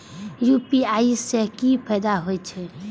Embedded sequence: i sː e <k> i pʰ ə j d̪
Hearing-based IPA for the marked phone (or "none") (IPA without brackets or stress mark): k